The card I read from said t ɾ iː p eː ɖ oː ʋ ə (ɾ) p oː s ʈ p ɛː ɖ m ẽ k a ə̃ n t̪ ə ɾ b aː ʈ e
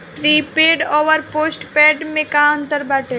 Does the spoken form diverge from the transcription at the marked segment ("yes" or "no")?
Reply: no